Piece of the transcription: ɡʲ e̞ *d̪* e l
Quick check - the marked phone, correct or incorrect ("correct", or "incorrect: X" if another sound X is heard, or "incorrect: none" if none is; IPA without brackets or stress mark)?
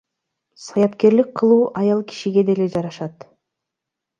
correct